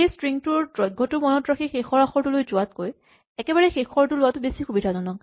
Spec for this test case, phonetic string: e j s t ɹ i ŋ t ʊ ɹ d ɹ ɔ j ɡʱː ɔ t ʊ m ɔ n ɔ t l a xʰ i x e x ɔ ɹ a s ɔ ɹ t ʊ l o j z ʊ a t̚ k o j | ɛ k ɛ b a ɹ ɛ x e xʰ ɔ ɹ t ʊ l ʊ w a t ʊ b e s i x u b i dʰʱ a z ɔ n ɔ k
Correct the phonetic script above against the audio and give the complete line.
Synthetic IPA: e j s t ɹ i ŋ t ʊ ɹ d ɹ ɔ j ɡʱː ɔ t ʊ m ɔ n ɔ t ɹ a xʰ i x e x ɔ ɹ a x ɔ ɹ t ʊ l o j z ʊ a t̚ k o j | ɛ k ɛ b a ɹ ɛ x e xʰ ɔ ɹ t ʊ l ʊ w a t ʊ b e s i x u b i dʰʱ a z ɔ n ɔ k